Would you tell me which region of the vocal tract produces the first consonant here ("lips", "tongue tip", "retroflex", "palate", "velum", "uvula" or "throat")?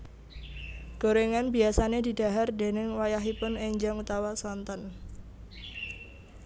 velum